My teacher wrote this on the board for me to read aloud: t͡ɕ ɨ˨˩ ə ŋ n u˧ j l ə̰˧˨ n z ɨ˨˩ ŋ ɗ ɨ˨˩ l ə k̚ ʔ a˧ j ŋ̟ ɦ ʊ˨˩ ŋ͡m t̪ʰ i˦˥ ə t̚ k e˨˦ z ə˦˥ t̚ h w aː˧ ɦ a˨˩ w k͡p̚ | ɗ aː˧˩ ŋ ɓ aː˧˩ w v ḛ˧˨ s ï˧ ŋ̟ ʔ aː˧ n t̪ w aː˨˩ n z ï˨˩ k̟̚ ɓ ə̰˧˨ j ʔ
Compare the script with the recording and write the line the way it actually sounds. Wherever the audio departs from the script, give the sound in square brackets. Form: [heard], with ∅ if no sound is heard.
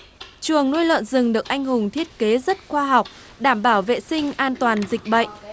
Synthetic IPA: t͡ɕ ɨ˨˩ ə ŋ n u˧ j l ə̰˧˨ n z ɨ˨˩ ŋ ɗ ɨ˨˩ [∅] ə k̚ ʔ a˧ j ŋ̟ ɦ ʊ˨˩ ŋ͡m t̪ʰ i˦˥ ə t̚ k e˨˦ z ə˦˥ t̚ [x] w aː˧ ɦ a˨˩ w k͡p̚ | ɗ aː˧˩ [m] ɓ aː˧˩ w v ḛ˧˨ s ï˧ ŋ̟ ʔ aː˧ n t̪ w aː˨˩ n z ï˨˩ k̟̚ ɓ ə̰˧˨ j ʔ